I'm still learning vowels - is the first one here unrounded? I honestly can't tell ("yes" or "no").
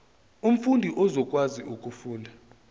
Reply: no